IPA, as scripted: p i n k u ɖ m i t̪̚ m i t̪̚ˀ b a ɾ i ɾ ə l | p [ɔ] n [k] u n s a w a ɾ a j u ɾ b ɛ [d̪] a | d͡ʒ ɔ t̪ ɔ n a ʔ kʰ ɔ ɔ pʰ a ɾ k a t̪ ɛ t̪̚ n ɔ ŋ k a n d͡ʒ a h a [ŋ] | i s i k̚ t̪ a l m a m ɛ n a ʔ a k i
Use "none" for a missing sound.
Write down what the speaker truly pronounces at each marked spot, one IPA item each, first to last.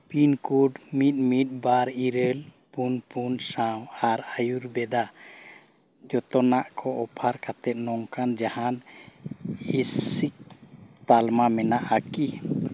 u, p, d̪, n

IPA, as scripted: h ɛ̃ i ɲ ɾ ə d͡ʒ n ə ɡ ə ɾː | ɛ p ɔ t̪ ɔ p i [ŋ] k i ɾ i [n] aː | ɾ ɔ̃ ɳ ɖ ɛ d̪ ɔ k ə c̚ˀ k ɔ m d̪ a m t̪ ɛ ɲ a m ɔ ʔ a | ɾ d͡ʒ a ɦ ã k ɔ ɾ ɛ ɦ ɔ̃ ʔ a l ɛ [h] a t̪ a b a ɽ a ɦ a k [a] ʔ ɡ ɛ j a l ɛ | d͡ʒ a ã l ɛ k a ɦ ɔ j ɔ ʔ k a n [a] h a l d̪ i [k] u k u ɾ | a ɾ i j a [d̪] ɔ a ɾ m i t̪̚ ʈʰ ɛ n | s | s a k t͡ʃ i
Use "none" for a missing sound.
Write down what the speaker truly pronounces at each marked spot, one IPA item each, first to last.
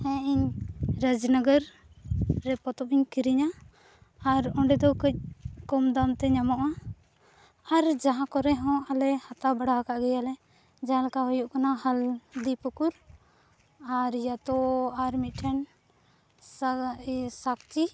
ɲ, ɲ, h, a, a, p, t̪

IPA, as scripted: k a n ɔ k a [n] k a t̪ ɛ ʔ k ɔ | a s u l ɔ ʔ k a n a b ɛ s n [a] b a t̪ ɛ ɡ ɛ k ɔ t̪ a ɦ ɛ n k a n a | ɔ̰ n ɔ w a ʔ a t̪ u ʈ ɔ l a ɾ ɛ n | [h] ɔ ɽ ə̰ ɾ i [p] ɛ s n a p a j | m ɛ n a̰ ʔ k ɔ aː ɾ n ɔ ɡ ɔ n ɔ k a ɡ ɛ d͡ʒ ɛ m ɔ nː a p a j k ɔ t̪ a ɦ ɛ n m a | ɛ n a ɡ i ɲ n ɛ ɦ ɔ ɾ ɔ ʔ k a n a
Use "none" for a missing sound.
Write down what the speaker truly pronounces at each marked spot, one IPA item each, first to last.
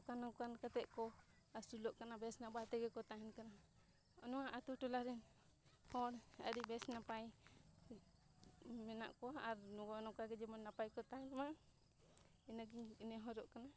n, a, h, b

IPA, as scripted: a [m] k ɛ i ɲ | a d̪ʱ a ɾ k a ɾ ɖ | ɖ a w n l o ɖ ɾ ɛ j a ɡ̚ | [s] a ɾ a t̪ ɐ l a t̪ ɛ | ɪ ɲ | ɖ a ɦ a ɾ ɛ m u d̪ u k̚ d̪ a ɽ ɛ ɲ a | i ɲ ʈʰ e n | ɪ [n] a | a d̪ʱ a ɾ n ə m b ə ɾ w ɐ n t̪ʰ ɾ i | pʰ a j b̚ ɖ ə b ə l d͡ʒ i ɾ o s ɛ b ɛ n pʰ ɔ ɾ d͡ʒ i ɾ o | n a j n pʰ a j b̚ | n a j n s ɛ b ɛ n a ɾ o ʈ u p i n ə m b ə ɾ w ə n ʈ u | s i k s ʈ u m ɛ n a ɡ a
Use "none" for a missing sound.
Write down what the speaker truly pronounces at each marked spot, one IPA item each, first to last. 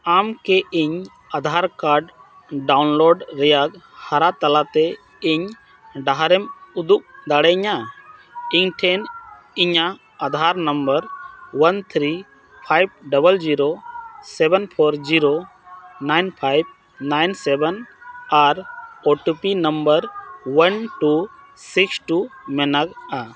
m, h, ɲ

